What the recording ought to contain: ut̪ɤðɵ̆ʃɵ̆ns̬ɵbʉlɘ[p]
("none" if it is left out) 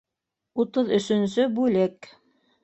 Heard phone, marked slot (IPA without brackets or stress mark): k